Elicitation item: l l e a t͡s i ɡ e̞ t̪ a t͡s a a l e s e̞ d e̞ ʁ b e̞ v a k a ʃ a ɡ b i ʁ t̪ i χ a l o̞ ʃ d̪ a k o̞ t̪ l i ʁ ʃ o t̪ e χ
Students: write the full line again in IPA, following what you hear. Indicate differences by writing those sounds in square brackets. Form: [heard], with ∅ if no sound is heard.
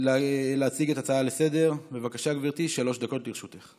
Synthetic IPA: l l e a t͡s i ɡ e̞ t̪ a t͡s a a l e s e̞ d e̞ ʁ b e̞ v a k a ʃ a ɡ [v] i ʁ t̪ i [ʃ] a l o̞ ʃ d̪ a k o̞ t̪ l i ʁ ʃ [u] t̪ e χ